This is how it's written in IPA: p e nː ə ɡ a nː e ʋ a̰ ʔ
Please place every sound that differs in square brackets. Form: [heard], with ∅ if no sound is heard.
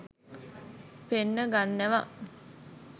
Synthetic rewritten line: p e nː ə ɡ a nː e ʋ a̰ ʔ